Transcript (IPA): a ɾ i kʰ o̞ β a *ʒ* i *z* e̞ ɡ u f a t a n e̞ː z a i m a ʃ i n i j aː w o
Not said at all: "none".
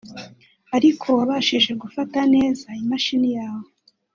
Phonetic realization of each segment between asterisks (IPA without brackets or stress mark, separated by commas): ʃ, ʒ